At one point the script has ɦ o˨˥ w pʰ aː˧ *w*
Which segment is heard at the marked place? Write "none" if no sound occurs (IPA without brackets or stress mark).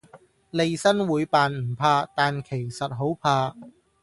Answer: none